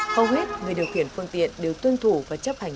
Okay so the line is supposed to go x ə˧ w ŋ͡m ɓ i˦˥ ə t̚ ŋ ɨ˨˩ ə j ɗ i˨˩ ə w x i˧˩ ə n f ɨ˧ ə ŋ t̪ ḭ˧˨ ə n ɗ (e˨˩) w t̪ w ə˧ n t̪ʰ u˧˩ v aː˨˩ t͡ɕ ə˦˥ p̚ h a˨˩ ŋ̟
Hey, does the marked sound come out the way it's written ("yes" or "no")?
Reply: yes